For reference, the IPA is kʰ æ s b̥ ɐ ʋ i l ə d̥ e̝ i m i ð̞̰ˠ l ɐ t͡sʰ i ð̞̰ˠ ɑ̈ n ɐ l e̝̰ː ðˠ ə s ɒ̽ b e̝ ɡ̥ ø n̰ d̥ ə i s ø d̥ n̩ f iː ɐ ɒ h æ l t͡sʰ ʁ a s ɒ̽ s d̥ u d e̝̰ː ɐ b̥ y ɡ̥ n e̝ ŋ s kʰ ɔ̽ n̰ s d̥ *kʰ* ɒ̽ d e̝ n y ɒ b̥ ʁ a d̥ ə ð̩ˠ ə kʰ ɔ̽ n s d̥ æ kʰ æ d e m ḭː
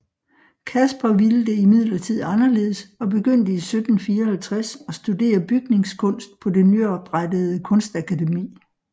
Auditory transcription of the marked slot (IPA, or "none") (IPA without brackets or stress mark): pʰ